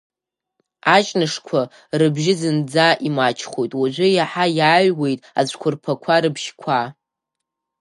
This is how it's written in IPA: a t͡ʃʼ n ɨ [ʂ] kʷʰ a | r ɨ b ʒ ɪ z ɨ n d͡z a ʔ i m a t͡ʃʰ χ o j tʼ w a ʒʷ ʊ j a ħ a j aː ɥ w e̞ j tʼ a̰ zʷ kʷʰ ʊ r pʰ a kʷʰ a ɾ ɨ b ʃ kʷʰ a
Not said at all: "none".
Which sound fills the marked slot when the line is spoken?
ʂ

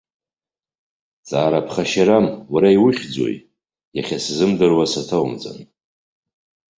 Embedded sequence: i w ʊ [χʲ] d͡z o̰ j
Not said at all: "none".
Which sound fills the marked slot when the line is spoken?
χʲ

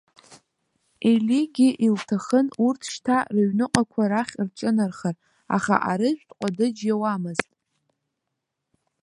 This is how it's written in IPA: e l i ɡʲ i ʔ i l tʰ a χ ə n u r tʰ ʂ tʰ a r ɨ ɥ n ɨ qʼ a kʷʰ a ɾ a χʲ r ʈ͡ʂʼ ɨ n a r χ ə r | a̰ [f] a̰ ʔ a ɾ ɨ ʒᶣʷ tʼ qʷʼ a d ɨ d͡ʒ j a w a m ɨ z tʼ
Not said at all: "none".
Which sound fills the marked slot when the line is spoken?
χ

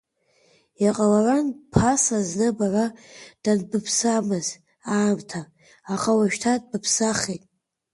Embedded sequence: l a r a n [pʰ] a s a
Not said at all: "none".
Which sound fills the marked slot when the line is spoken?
pʰ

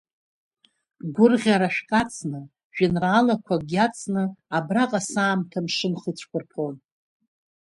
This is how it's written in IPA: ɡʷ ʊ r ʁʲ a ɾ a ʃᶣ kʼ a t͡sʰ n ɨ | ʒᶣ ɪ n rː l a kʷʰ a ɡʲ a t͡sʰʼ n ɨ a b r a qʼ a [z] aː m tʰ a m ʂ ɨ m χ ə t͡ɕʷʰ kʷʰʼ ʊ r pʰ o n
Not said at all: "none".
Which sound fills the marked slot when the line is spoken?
s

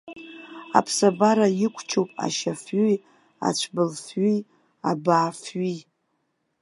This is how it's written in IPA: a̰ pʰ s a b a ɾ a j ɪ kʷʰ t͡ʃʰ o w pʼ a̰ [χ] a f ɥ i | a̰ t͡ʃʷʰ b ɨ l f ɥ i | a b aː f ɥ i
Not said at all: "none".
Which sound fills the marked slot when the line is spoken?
ʃ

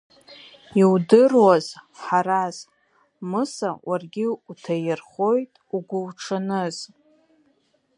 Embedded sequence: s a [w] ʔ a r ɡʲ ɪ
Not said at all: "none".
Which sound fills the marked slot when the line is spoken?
w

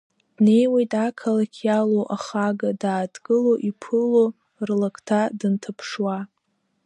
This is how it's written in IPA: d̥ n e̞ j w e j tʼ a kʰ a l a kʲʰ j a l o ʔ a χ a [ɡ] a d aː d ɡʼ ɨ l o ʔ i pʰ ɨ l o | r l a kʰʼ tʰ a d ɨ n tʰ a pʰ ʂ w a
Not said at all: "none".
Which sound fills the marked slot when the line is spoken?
ɡ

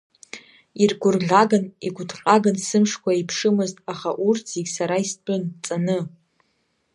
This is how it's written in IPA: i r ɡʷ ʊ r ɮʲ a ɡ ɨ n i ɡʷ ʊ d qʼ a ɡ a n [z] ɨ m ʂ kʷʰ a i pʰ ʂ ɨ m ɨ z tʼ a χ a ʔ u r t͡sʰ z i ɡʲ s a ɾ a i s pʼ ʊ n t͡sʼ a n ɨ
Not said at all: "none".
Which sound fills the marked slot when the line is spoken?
s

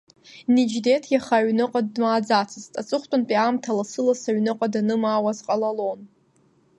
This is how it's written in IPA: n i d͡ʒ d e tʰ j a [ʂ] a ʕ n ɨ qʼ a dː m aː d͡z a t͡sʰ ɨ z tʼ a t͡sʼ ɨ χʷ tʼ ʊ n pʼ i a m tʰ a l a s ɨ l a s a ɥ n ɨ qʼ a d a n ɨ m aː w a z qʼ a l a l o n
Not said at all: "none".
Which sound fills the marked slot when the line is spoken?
χ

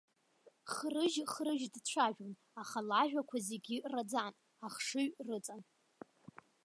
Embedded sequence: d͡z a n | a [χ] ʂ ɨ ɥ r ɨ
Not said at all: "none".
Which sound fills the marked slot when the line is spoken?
χ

